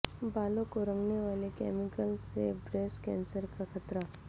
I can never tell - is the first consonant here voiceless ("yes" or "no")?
no